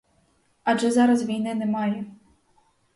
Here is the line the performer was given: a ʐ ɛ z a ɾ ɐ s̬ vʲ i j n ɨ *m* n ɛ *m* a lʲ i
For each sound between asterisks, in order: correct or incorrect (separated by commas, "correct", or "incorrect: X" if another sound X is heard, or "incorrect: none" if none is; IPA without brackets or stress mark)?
incorrect: none, correct